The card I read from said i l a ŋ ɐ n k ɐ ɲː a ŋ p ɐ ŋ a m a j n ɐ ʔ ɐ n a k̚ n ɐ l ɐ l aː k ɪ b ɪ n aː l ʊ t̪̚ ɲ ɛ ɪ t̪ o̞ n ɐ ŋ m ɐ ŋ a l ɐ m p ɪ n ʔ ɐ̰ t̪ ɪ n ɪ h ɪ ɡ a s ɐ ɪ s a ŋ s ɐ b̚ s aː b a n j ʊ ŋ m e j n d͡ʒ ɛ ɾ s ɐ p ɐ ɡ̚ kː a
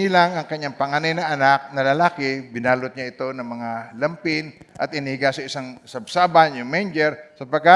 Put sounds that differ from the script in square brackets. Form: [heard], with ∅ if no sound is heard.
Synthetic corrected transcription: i l a ŋ ɐ [ŋ] k ɐ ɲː a ŋ p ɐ ŋ a [n] a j n ɐ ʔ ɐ n a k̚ n ɐ l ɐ l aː k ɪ b ɪ n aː l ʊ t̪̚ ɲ [a] ɪ t̪ o̞ n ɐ ŋ m ɐ ŋ a l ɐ m p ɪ n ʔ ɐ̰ t̪ ɪ n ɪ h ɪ ɡ a s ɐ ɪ s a ŋ s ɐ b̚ s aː b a n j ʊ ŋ m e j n d͡ʒ ɛ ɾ s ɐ p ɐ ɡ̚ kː a